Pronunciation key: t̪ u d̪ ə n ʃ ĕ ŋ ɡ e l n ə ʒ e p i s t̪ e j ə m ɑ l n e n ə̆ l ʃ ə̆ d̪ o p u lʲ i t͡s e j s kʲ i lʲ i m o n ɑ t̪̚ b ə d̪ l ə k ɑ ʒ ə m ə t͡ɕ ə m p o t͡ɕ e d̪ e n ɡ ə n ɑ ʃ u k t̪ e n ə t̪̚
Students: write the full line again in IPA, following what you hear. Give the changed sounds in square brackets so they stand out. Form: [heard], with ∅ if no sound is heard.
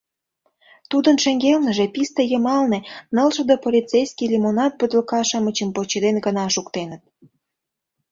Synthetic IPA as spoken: t̪ u d̪ ə n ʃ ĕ ŋ ɡ e l n ə ʒ e p i s t̪ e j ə m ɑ l n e n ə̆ l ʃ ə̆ d̪ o p [o] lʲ i t͡s e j s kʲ i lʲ i m o n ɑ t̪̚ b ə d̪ l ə k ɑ [ʃ] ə m ə t͡ɕ ə m p o t͡ɕ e d̪ e n ɡ ə n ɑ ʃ u k t̪ e n ə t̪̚